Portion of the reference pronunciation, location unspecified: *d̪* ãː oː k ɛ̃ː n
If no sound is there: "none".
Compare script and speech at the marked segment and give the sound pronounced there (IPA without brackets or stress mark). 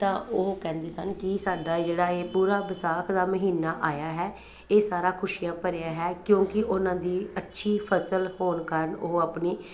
t̪